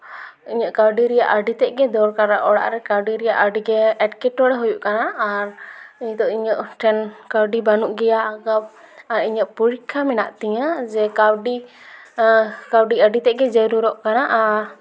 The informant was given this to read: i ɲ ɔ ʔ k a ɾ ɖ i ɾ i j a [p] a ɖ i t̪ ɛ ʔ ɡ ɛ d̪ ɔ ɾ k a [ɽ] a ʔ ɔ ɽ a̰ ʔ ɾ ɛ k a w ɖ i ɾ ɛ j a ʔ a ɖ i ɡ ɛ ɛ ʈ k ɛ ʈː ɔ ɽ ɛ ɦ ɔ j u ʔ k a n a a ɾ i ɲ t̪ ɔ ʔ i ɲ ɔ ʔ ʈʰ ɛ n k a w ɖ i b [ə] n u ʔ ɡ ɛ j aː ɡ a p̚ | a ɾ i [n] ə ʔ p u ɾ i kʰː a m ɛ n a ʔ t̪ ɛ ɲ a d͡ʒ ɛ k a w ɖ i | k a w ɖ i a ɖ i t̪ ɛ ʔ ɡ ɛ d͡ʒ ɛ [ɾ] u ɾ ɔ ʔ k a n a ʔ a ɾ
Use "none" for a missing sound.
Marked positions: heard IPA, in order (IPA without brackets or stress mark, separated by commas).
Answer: ʔ, ɾ, a, ɲ, ɾ